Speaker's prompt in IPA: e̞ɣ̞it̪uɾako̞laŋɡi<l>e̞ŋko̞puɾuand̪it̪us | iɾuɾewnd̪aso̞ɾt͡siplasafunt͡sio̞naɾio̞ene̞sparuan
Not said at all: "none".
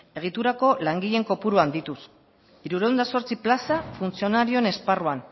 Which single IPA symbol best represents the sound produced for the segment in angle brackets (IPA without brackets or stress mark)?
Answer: ʎ